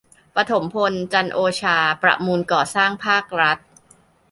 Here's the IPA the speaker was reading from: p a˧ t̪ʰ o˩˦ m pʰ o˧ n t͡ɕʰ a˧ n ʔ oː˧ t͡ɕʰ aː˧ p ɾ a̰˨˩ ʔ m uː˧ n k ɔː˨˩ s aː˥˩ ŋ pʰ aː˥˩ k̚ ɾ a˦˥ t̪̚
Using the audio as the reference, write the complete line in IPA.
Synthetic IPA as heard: p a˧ t̪ʰ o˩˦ m pʰ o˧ n t͡ɕ a˧ n ʔ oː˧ t͡ɕʰ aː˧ p ɾ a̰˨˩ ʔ m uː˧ n k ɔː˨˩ s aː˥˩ ŋ pʰ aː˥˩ k̚ ɾ a˦˥ t̪̚